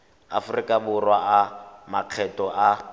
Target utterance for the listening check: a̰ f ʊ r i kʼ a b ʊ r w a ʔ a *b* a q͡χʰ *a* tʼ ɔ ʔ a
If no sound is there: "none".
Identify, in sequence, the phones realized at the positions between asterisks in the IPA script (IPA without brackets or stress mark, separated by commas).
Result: m, ɛ